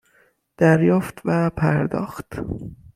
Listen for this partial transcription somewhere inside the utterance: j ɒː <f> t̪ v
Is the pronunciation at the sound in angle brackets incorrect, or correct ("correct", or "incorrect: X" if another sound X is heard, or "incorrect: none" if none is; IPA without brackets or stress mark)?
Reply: correct